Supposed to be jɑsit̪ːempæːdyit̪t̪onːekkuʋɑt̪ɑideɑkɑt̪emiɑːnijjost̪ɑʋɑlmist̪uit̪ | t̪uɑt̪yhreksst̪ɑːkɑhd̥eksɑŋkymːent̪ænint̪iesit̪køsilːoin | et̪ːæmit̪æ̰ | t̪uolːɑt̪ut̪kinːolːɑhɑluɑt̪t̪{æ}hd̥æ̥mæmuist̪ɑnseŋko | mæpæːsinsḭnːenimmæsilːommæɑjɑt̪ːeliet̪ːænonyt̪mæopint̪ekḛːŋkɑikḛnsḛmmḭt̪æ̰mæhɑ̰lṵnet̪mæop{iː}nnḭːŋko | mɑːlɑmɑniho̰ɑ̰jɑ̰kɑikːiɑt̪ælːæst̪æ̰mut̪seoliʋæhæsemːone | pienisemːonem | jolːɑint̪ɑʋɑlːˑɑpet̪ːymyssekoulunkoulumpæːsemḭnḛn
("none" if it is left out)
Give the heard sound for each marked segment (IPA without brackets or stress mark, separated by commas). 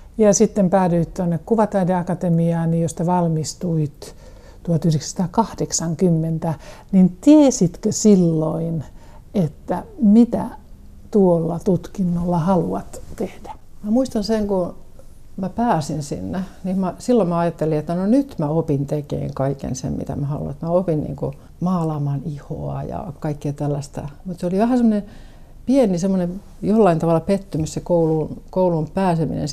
e, i